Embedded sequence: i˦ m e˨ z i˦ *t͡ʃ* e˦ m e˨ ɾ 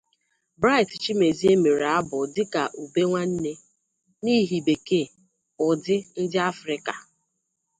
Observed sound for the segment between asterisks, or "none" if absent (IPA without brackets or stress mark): none